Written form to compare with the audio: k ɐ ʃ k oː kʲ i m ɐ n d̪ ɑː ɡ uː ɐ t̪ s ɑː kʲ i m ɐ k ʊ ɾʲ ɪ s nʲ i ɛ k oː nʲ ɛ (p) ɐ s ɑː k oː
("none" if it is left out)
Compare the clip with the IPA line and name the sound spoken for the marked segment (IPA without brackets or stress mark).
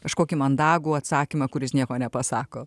p